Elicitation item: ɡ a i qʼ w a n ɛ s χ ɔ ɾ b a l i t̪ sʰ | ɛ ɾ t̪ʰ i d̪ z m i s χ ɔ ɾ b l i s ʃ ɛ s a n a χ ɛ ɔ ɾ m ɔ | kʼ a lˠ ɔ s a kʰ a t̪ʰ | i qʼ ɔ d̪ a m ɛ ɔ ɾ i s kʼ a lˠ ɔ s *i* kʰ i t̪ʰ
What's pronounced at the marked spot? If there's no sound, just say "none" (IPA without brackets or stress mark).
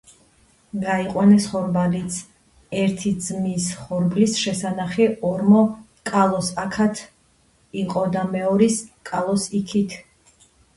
i